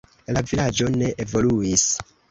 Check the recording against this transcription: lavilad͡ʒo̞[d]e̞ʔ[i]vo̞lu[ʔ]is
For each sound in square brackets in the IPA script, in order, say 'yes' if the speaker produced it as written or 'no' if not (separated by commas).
no, no, no